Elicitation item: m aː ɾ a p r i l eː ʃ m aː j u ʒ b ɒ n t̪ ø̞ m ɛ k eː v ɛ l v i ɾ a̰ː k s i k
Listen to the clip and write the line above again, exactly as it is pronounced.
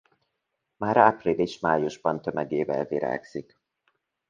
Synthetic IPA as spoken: m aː ɾ a p r i l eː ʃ m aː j u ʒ b ɒ n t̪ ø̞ m ɛ ɡ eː v ɛ l v i ɾ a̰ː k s i k